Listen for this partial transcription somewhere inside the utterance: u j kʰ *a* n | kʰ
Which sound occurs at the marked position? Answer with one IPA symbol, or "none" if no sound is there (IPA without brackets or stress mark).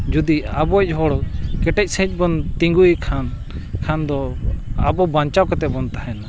a